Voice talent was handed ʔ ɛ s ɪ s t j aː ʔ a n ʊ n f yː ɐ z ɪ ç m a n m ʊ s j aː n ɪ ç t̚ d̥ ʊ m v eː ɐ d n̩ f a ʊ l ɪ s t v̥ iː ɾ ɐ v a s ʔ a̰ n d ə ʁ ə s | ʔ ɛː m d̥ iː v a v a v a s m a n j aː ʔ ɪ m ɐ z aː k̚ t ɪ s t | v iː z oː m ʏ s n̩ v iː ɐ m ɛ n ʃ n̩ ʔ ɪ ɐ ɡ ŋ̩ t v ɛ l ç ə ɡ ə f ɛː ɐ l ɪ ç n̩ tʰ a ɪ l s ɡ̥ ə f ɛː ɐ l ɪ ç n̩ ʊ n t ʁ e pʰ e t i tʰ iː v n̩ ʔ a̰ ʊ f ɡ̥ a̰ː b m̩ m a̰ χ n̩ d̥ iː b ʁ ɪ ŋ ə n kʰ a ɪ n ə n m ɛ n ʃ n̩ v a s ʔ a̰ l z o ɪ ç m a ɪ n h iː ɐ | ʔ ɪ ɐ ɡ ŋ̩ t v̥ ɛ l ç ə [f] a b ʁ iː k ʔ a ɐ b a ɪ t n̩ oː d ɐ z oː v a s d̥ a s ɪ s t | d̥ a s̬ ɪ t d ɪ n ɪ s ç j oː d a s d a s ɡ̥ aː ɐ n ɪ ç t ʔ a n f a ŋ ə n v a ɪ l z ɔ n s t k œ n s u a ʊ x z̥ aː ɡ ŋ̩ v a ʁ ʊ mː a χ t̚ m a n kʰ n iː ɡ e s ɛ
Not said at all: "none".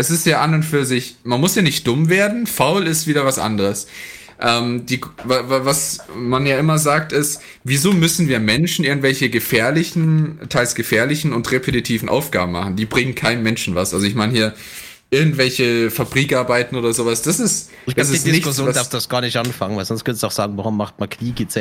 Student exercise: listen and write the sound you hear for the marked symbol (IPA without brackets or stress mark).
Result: f